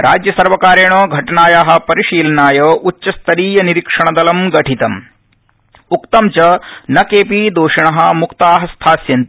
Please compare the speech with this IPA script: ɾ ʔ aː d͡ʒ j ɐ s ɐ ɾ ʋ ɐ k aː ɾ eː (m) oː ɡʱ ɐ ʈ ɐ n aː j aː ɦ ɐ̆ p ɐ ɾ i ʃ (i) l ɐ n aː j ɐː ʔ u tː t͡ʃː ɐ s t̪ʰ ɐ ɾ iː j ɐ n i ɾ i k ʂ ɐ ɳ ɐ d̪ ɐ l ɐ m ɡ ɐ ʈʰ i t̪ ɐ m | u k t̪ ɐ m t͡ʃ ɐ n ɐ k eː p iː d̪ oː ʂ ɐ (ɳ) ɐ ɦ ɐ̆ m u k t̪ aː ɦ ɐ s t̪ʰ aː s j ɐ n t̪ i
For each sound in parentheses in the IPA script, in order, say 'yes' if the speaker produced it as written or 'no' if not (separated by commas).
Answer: no, no, yes